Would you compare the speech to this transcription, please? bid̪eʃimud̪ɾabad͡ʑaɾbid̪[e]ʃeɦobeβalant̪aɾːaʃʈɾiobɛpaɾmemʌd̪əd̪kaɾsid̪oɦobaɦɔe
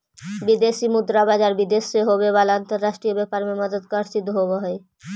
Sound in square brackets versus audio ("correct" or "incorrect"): correct